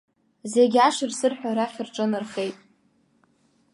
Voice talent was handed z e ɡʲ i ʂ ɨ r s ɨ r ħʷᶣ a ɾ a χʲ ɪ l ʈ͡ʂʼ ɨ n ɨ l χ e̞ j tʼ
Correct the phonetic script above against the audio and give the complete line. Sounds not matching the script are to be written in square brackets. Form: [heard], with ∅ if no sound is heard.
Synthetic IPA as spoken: z e ɡʲ [a] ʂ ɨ r s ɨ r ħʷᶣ a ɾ a χʲ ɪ [r] ʈ͡ʂʼ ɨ n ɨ [r] χ e̞ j tʼ